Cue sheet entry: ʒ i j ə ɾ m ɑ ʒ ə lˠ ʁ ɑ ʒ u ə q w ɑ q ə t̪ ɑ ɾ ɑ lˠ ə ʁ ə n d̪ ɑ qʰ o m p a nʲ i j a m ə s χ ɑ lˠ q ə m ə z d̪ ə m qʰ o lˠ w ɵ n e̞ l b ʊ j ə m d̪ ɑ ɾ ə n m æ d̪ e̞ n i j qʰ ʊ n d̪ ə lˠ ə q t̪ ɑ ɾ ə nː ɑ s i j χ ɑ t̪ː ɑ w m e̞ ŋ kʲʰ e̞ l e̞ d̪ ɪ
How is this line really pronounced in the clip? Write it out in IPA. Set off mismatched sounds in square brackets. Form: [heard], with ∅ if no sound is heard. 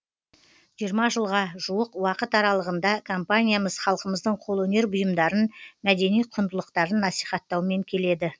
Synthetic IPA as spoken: ʒ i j ə ɾ m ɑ ʒ ə lˠ ʁ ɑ ʒ u ə q w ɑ q ə t̪ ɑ ɾ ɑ lˠ ə ʁ ə n d̪ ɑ [kʰ] o m p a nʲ i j a m ə [z] χ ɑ lˠ q ə m ə z d̪ ə [ɴ] qʰ o lˠ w ɵ n e̞ [ɾ] b ʊ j ə m d̪ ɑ ɾ ə n m æ d̪ e̞ n i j qʰ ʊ n d̪ ə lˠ ə q t̪ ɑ ɾ ə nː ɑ s i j χ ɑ t̪ː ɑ w m e̞ ŋ kʲʰ e̞ l e̞ d̪ ɪ